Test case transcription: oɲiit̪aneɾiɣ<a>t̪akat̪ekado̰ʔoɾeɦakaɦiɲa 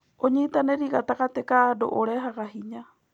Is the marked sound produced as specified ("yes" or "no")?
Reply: yes